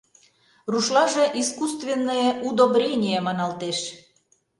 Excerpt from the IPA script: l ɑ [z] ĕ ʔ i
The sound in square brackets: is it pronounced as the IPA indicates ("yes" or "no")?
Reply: no